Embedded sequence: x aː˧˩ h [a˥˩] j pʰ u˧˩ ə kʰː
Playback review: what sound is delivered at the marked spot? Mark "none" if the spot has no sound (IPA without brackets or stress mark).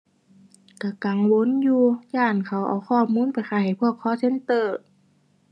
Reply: a˨˩